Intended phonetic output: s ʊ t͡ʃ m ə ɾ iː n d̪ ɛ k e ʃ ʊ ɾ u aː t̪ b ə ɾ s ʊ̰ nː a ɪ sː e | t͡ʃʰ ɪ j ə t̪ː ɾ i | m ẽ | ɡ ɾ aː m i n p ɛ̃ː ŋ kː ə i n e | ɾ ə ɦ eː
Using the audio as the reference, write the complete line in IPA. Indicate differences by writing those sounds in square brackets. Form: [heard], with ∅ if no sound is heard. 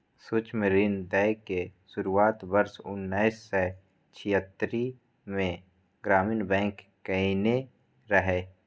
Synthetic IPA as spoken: s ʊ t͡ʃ m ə ɾ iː n d̪ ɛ k e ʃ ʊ ɾ u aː t̪ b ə ɾ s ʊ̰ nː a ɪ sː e | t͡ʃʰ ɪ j ə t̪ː ɾ i | m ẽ | ɡ ɾ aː m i n [b] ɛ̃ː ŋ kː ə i n e | ɾ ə ɦ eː